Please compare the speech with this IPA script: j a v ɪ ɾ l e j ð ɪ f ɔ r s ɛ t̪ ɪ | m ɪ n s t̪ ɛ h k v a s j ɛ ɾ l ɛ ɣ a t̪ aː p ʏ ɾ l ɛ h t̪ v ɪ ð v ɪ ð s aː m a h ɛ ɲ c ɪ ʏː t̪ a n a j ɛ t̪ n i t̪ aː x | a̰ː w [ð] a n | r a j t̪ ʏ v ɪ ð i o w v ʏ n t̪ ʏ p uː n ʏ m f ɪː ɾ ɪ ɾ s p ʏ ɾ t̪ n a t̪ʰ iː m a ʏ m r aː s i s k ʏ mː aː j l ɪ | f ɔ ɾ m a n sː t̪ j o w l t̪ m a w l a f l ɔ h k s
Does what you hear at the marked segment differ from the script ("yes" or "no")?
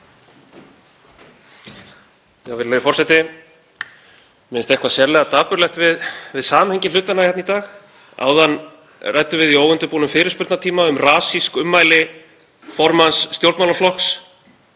no